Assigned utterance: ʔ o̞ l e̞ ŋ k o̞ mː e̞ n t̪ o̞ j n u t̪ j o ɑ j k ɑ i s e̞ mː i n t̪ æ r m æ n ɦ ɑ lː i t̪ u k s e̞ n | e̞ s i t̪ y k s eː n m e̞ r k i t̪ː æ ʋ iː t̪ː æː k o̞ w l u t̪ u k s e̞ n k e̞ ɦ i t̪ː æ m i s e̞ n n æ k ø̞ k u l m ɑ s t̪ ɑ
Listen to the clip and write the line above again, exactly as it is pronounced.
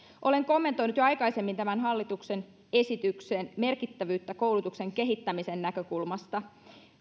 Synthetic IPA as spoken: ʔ o̞ l e̞ ŋ k o̞ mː e̞ n t̪ o̞ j n u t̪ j o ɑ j k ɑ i s e̞ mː i n t̪ æ m æ n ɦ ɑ lː i t̪ u k s e̞ n | e̞ s i t̪ y k s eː n m e̞ r k i t̪ː æ ʋ yː t̪ː æ k o̞ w l u t̪ u k s e̞ ŋ k e̞ ɦ i t̪ː æ m i s e̞ n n æ k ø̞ k u l m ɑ s t̪ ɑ